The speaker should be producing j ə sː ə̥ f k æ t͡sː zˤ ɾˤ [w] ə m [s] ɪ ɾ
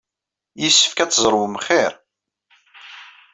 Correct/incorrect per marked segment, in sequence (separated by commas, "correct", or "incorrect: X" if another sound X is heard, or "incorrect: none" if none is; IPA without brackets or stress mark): correct, incorrect: χ